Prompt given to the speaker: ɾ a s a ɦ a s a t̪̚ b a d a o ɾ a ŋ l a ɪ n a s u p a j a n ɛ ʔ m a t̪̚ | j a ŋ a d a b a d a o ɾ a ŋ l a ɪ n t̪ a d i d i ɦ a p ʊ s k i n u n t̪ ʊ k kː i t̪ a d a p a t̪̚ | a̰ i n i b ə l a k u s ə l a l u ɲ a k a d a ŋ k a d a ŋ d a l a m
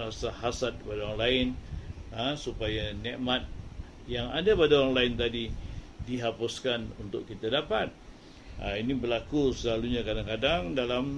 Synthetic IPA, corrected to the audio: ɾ a s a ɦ a s a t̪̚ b a d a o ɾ a ŋ l a ɪ n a s u p a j a n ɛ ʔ m a t̪̚ | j a ŋ a d a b a d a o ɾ a ŋ l a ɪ n t̪ a d i d i ɦ a p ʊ s k a n u n t̪ ʊ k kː i t̪ a d a p a t̪̚ | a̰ i n i b ə l a k u s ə l a l u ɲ a k a d a ŋ k a d a ŋ d a l a m